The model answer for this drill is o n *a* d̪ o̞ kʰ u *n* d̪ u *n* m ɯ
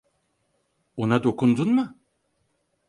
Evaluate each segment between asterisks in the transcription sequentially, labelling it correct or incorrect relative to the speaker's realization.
correct, correct, correct

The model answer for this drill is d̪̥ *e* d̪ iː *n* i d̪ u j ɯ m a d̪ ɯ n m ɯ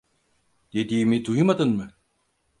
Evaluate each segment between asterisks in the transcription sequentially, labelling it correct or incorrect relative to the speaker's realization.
correct, incorrect

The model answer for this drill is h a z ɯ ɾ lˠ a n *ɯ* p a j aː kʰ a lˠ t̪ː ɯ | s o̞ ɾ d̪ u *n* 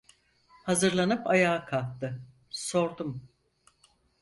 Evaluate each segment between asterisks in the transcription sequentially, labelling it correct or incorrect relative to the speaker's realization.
correct, incorrect

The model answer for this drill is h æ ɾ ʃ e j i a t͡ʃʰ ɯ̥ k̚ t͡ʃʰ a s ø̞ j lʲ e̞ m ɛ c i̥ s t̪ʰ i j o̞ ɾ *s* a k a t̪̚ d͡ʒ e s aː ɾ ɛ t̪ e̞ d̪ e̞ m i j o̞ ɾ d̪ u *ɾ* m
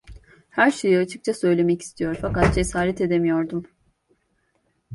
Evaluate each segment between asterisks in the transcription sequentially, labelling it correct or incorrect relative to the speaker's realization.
incorrect, incorrect

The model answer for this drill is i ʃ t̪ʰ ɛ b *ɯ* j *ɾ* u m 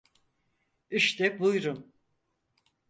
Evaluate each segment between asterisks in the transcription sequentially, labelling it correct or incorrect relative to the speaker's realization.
incorrect, correct

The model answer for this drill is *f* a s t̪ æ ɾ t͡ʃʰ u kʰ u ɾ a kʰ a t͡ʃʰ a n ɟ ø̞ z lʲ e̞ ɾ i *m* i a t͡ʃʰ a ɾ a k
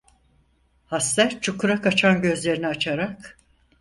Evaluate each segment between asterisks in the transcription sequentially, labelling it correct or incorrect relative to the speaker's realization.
incorrect, incorrect

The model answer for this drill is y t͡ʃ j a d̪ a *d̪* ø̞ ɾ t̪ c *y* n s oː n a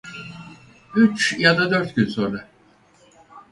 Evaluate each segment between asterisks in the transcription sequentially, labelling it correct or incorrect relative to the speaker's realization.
correct, correct

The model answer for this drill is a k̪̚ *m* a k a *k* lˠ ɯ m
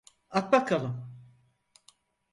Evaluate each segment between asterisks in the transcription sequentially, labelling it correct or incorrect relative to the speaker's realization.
incorrect, incorrect

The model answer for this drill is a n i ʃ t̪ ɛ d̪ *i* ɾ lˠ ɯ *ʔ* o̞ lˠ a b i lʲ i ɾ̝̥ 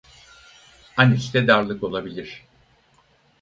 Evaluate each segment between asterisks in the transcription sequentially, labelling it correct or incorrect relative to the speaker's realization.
incorrect, incorrect

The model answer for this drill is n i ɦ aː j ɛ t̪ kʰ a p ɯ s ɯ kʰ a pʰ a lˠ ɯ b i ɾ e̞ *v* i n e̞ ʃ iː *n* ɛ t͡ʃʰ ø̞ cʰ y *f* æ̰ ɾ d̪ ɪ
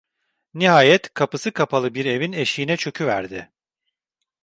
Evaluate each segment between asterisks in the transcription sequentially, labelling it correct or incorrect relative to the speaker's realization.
correct, correct, incorrect

